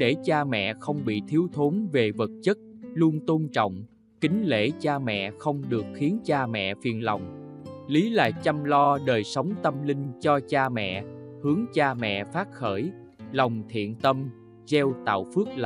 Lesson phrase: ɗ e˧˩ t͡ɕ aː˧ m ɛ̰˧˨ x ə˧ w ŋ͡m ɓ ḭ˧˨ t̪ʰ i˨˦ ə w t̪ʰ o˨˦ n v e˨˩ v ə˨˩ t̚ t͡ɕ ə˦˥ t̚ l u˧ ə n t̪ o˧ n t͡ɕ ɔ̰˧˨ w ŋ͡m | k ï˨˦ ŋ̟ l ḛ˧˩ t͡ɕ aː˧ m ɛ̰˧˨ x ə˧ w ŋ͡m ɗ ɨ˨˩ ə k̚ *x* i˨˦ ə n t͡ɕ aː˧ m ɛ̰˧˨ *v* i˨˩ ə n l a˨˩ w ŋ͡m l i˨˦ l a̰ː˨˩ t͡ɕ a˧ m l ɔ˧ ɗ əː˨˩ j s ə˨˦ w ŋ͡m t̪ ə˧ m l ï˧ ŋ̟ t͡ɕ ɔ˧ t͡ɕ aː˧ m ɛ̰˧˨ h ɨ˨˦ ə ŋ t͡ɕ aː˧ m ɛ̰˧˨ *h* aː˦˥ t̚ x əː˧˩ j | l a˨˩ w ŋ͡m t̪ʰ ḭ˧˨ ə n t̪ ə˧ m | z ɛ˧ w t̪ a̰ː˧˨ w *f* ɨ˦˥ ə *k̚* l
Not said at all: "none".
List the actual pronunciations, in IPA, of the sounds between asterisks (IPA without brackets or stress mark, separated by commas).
x, f, f, f, k̚